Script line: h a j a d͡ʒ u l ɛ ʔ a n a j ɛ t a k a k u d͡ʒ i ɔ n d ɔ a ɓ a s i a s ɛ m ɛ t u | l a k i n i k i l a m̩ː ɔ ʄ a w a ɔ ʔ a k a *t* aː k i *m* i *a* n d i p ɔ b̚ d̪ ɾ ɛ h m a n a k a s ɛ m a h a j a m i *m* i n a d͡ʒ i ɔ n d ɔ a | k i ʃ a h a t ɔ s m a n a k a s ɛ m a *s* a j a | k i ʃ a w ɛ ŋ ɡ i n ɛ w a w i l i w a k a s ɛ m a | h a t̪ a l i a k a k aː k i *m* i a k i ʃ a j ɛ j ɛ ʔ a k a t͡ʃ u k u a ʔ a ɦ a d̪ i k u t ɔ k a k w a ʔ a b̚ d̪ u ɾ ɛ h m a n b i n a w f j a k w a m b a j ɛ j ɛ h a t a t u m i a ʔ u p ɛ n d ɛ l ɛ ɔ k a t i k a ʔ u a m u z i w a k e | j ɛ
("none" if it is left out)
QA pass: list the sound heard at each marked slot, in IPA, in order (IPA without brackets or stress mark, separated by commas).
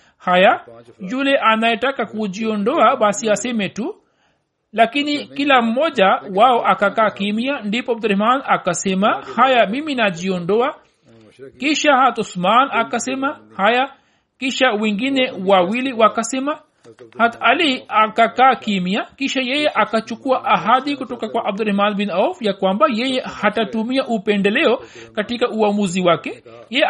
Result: k, m, a, m, h, m